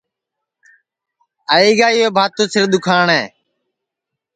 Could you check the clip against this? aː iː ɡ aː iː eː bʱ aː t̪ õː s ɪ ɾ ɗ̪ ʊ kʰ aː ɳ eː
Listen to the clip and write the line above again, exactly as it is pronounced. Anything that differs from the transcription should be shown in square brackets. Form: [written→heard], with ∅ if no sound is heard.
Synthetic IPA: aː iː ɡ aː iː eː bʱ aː t̪ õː s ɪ ɾ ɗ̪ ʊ kʰ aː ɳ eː